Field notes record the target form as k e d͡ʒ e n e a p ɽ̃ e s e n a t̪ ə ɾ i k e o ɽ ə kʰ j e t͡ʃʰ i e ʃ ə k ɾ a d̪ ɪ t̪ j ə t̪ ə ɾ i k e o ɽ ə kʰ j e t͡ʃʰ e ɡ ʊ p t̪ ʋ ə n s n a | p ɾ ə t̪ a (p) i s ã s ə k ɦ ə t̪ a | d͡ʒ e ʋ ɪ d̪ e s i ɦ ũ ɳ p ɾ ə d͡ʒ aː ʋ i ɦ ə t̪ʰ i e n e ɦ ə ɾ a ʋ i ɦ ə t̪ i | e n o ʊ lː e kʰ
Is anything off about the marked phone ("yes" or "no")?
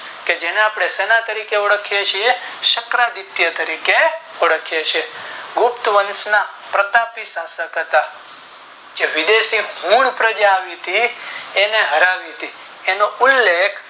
no